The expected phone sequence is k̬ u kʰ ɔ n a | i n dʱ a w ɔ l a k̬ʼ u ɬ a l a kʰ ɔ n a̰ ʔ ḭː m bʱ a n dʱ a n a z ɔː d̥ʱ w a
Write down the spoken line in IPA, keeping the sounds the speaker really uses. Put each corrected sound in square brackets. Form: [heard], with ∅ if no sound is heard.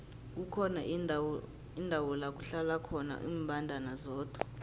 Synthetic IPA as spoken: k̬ u kʰ ɔ n a | i n dʱ a w ɔ l a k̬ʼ u ɬ a l a kʰ ɔ n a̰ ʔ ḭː m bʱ a n dʱ a n a z ɔː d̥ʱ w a